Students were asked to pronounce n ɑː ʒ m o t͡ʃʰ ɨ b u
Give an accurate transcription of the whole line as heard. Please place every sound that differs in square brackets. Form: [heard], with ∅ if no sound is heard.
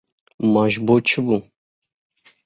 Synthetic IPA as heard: [m] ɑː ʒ [b] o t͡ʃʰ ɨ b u

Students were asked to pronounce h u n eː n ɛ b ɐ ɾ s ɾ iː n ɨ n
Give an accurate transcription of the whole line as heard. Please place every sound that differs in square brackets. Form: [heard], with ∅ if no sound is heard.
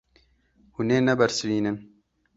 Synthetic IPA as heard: h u n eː n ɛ b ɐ ɾ s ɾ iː n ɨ n

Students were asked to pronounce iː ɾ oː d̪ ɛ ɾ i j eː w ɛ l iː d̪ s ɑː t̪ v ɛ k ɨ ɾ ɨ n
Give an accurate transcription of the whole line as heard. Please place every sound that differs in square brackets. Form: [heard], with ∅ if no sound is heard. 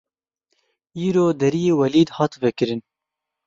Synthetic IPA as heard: iː ɾ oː d̪ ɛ ɾ i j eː w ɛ l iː d̪ [h] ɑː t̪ v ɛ k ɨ ɾ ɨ n

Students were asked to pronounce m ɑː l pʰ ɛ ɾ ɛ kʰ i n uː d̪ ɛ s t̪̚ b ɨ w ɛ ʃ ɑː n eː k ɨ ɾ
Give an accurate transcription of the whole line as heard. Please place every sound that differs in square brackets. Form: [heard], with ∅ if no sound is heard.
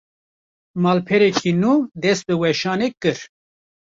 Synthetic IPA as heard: m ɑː l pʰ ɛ ɾ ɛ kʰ i n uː d̪ ɛ s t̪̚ b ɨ w ɛ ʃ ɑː n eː k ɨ ɾ

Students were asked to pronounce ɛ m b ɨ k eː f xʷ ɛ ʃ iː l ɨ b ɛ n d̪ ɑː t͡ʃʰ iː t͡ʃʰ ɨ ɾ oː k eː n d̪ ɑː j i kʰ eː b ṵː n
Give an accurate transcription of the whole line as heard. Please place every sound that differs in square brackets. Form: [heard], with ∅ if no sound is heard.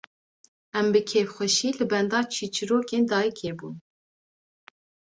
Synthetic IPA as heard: ɛ m b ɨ [kʰ] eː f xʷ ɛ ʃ iː l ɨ b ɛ n d̪ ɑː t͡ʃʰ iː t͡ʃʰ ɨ ɾ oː k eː n d̪ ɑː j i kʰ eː b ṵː n

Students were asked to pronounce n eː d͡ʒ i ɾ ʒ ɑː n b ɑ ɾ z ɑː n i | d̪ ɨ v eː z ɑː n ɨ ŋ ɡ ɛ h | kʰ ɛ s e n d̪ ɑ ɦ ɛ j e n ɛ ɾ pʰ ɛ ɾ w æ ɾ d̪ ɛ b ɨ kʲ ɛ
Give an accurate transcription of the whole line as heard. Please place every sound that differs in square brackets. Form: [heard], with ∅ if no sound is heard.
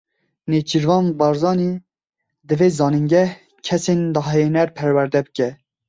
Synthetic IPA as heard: n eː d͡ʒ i ɾ [v] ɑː n b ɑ ɾ z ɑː n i | d̪ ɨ v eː z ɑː n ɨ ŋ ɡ ɛ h | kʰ ɛ s e n d̪ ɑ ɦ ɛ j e n ɛ ɾ pʰ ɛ ɾ w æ ɾ d̪ ɛ b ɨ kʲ ɛ

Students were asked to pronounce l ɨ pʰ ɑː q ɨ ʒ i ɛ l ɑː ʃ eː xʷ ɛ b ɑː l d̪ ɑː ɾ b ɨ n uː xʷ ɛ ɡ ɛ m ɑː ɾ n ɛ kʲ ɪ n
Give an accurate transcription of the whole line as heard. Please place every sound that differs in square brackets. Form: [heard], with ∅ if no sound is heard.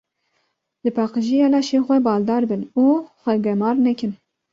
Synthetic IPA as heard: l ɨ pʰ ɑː q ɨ ʒ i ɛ l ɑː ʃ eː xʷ ɛ b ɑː l d̪ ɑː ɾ b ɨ n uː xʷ ɛ ɡ ɛ m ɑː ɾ n ɛ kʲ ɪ n

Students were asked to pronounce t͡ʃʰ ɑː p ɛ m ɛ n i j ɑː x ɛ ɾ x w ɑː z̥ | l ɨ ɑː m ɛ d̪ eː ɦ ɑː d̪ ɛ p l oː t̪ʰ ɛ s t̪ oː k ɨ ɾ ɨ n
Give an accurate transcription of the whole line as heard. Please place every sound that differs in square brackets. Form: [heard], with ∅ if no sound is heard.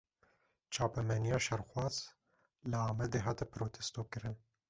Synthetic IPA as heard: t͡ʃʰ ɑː p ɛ m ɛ n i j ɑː [ʃ] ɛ ɾ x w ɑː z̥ | l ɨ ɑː m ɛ d̪ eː ɦ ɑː [t̪] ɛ p [ɾ] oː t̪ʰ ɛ s t̪ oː k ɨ ɾ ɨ n

